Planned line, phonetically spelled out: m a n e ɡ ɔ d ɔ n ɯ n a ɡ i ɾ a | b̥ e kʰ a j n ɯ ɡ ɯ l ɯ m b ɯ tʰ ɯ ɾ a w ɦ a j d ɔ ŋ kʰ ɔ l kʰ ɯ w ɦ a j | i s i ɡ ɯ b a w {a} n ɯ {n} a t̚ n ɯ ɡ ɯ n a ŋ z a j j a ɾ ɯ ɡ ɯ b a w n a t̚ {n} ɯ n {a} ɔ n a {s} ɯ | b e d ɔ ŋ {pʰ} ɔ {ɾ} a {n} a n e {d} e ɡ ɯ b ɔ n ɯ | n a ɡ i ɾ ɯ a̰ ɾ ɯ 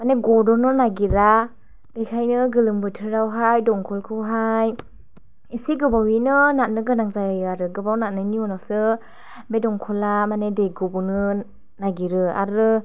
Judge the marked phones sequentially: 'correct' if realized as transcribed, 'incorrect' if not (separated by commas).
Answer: incorrect, correct, correct, incorrect, correct, incorrect, incorrect, incorrect, correct